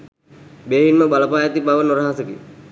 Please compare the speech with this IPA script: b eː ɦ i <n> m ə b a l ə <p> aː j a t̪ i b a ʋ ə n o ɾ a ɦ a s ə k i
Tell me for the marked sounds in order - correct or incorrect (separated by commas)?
correct, correct